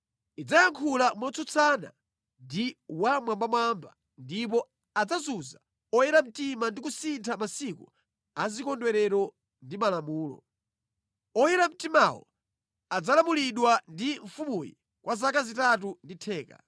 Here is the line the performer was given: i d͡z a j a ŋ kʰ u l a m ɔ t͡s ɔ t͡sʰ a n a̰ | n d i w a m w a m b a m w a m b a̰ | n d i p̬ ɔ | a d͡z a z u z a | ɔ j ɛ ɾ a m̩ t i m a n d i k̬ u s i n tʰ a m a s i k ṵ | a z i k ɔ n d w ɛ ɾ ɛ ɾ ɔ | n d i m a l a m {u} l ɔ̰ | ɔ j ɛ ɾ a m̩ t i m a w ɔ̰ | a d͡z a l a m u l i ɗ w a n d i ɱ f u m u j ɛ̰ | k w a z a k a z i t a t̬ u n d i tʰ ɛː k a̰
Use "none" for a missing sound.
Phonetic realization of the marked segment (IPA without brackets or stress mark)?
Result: uː